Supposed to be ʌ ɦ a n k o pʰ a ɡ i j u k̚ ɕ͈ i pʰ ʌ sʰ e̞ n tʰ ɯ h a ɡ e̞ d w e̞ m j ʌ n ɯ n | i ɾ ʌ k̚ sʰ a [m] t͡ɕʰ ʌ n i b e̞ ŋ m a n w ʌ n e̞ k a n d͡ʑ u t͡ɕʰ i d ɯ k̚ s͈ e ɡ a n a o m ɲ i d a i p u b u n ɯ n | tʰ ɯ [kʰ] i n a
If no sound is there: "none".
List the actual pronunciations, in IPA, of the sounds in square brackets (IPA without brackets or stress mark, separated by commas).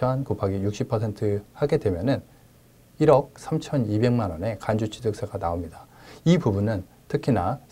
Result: m, kʰ